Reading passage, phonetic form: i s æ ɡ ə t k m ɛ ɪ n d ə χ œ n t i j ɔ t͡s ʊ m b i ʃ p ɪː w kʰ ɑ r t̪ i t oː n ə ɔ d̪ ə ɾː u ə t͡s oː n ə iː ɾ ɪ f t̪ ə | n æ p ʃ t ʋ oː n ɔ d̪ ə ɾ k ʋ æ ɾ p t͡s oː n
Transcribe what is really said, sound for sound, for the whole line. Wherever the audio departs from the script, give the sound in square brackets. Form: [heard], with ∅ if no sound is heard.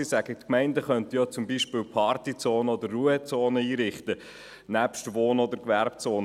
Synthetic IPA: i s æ ɡ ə t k m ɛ ɪ n d ə χ œ n t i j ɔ t͡s ʊ m b i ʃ p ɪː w [pʰ] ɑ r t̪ i [t͡s] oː n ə ɔ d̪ ə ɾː u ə t͡s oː n ə iː ɾ ɪ [χ] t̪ ə | n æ p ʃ t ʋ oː n ɔ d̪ ə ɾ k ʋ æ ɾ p t͡s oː n